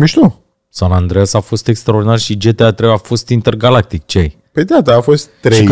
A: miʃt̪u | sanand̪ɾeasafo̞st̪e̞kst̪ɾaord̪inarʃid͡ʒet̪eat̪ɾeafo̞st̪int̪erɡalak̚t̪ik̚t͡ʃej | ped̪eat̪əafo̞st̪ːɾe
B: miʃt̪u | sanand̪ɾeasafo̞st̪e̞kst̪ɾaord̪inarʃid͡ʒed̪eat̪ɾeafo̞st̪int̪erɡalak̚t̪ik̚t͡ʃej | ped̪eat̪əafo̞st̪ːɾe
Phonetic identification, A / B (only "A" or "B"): A